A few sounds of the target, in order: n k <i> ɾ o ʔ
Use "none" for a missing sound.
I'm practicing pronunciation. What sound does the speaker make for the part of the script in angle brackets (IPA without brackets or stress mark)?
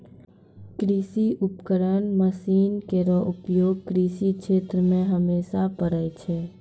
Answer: e